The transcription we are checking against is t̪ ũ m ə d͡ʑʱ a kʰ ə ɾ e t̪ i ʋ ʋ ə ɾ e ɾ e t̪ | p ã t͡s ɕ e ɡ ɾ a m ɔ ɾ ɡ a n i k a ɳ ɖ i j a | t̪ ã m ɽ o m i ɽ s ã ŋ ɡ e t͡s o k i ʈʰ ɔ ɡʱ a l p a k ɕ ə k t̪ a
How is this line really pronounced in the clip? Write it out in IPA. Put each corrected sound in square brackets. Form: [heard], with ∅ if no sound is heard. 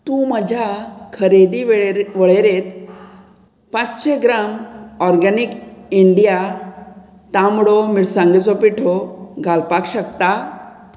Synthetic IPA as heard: t̪ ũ m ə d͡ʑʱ a kʰ ə ɾ e [d̪] i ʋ ʋ ə [ɭ] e ɾ e t̪ | p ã t͡s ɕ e ɡ ɾ a m ɔ ɾ ɡ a n i k [i] ɳ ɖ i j a | t̪ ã m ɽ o m i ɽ s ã ŋ ɡ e t͡s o [p] i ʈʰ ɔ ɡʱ a l p a k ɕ ə k t̪ a

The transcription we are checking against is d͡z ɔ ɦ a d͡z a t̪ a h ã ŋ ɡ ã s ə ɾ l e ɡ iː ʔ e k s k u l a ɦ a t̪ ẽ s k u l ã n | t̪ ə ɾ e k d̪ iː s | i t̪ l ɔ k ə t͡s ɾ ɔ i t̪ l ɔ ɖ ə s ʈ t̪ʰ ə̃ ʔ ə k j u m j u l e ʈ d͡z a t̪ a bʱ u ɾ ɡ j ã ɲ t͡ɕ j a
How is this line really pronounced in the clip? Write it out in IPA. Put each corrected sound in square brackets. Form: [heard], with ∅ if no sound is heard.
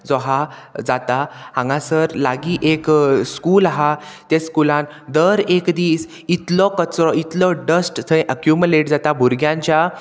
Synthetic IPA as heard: d͡z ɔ ɦ a d͡z a t̪ a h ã ŋ ɡ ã s ə ɾ l [a] ɡ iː ʔ e k s k u l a ɦ a t̪ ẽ s k u l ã n | [d̪] ə ɾ e k d̪ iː s | i t̪ l ɔ k ə t͡s ɾ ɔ i t̪ l ɔ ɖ ə s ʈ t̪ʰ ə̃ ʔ ə k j u m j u l e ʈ d͡z a t̪ a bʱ u ɾ ɡ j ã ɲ t͡ɕ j a

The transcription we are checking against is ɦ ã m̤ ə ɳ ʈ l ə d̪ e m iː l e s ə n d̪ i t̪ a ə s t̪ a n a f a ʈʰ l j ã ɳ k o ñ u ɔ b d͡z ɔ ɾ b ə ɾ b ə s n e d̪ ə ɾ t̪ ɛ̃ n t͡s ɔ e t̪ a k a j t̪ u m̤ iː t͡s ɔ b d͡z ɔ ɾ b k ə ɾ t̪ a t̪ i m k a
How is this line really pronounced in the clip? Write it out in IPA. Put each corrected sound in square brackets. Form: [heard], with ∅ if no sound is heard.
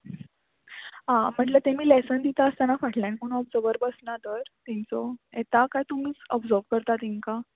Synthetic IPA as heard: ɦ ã m̤ ə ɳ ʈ l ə [t̪] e m iː l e s ə n d̪ i t̪ a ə s t̪ a n a f a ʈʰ l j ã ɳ k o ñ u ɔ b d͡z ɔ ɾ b ə ɾ b ə s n [a] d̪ ə ɾ t̪ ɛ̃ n t͡s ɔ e t̪ a k a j t̪ u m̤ iː t͡s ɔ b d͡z ɔ ɾ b k ə ɾ t̪ a t̪ i [ŋ] k a

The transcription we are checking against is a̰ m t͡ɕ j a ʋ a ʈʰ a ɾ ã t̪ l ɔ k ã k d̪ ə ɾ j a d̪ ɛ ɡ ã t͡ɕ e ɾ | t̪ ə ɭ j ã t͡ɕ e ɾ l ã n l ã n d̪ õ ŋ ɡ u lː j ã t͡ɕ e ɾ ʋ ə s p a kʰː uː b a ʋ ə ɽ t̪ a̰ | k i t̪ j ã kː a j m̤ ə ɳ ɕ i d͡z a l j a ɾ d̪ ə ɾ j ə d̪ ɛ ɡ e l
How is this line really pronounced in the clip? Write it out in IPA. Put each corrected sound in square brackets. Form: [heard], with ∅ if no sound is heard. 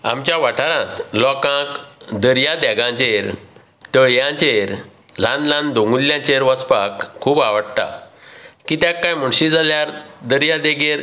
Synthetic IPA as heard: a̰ m t͡ɕ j a ʋ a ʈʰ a ɾ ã t̪ l ɔ k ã k d̪ ə ɾ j a d̪ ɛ ɡ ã t͡ɕ e ɾ | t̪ ə ɭ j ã t͡ɕ e ɾ l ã n l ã n d̪ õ ŋ ɡ u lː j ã t͡ɕ e ɾ ʋ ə s p a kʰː uː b a ʋ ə ɽ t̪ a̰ | k i t̪ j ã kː a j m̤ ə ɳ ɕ i d͡z a l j a ɾ d̪ ə ɾ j [a] d̪ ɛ ɡ e [ɾ]

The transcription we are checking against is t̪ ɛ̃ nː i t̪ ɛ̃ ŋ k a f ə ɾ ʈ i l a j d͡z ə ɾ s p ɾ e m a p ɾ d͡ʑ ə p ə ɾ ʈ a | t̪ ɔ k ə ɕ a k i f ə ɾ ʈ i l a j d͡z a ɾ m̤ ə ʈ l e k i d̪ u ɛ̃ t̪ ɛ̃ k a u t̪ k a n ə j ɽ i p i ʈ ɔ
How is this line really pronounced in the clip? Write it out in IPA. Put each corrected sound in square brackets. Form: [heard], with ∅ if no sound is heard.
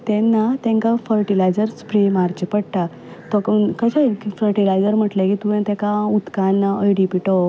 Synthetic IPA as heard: t̪ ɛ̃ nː [a] t̪ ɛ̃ ŋ k a f ə ɾ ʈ i l a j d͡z ə ɾ s p ɾ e m a [∅] ɾ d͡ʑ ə p ə [ɽ] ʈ a | t̪ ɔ k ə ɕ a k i f ə ɾ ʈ i l a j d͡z [ə] ɾ m̤ ə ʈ l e k i [t̪] u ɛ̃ t̪ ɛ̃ k a u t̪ k a n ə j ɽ i p i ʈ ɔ

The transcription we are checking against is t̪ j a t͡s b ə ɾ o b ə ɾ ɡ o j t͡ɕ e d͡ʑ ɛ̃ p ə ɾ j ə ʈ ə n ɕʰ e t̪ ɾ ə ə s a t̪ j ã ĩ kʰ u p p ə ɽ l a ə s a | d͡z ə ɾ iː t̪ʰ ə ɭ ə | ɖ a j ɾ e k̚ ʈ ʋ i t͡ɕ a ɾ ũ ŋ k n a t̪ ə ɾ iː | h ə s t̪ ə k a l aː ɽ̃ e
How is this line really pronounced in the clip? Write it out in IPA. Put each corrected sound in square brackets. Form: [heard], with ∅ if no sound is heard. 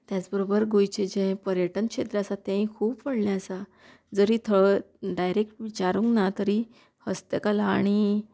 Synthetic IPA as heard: t̪ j a t͡s b ə ɾ o b ə ɾ ɡ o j t͡ɕ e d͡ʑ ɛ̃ p ə ɾ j ə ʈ ə n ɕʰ e t̪ ɾ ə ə s a t̪ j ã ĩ kʰ [uː] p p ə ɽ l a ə s a | d͡z ə ɾ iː t̪ʰ ə ɭ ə | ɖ a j ɾ e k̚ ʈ ʋ i t͡ɕ a ɾ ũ ŋ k n a t̪ ə ɾ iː | h ə s t̪ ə k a l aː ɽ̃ [i]

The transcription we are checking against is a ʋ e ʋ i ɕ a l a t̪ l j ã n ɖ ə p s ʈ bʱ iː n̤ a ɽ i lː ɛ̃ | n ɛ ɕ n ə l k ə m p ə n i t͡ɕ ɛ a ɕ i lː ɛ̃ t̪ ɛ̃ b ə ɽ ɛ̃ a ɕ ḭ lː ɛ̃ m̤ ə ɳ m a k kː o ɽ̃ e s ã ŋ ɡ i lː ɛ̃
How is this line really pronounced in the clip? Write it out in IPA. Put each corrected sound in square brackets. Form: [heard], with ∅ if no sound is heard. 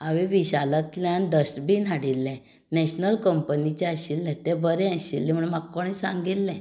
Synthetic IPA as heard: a ʋ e ʋ i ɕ a l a t̪ l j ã n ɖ ə [∅] s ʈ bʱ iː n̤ a ɽ i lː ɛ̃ | n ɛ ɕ n ə l k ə m p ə n i t͡ɕ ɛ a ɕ i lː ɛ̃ t̪ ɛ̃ b ə [ɾ] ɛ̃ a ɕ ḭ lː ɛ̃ m̤ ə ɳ m a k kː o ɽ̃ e s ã ŋ ɡ i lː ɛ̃

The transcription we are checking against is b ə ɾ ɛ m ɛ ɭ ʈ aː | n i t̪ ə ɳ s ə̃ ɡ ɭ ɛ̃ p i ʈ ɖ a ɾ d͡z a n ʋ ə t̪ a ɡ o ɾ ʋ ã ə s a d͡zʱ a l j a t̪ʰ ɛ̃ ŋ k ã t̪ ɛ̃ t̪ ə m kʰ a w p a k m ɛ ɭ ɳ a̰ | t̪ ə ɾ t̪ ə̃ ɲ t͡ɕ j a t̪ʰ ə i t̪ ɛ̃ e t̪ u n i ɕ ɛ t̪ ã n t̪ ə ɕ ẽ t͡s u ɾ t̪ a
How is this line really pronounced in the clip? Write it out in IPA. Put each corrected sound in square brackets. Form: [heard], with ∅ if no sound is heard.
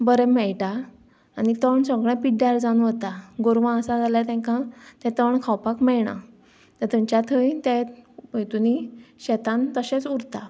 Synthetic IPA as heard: b ə ɾ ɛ m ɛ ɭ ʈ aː | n i t̪ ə ɳ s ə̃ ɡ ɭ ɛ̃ p i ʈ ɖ a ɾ d͡z a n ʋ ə t̪ a ɡ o ɾ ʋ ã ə s a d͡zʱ a l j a [t̪] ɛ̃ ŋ k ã t̪ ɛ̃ t̪ ə [ɳ] kʰ a w p a k m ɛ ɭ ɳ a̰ | t̪ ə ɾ t̪ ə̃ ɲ t͡ɕ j a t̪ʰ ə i t̪ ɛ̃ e t̪ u n i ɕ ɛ t̪ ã n t̪ ə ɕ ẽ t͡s u ɾ t̪ a

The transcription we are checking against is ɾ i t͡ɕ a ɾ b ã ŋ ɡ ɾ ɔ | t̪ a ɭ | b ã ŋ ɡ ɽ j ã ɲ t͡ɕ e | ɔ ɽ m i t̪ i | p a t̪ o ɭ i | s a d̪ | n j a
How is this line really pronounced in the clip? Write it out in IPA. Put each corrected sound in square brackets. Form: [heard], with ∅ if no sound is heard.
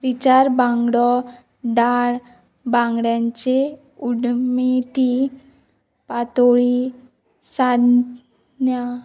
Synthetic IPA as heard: ɾ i t͡ɕ a ɾ b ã ŋ ɡ [ɽ] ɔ | [d̪] a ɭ | b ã ŋ ɡ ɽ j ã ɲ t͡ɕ e | [u] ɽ m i t̪ i | p a t̪ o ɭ i | s a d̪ | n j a

